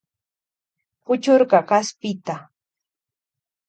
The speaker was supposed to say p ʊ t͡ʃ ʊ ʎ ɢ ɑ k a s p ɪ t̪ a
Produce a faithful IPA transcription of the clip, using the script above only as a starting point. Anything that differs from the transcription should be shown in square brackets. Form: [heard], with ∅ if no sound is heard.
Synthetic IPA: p ʊ t͡ʃ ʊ [ɾ] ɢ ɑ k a s p ɪ t̪ a